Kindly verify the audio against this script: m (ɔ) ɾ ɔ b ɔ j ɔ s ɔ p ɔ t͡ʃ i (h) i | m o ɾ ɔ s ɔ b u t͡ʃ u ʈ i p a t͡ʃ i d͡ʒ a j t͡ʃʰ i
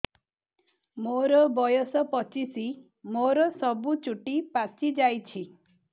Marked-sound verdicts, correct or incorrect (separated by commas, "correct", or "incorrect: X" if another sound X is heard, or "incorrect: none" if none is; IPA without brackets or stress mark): incorrect: o, incorrect: s